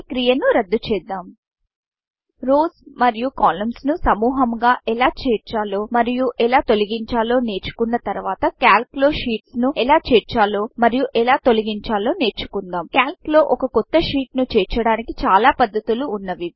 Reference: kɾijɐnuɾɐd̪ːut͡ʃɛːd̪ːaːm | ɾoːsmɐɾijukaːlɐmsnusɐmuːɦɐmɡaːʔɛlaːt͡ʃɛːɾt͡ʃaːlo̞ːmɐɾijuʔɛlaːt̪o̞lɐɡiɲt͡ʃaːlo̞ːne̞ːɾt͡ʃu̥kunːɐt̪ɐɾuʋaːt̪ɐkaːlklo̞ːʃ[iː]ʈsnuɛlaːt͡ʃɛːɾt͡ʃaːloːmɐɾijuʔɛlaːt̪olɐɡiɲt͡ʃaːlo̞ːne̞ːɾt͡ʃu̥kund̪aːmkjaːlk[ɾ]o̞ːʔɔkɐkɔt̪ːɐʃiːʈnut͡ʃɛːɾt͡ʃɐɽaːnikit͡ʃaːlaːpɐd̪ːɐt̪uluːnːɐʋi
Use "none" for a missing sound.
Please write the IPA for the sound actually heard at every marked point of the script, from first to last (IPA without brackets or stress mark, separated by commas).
iː, l